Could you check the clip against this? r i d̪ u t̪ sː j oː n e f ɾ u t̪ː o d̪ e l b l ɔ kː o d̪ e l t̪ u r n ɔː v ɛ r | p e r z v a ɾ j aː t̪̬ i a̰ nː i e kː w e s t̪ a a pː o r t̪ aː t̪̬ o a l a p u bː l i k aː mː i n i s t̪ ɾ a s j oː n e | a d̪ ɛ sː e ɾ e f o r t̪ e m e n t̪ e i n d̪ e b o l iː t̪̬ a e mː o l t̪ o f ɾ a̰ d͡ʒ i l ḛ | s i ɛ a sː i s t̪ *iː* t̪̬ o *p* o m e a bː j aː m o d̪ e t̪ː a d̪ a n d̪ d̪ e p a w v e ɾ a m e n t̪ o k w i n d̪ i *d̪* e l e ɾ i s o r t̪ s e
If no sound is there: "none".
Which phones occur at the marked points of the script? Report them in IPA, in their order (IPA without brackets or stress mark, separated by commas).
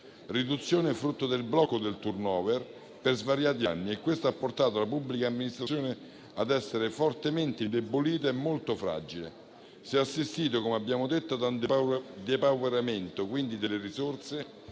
iː, k, d̪